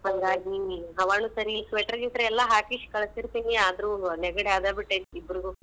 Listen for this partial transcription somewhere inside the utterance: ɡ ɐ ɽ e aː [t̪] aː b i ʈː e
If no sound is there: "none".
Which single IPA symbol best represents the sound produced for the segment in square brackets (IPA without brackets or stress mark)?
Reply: d̪